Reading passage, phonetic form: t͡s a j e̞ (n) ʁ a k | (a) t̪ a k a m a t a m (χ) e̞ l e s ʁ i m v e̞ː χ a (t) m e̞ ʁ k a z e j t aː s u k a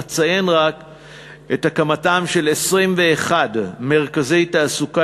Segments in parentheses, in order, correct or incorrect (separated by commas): correct, incorrect, incorrect, incorrect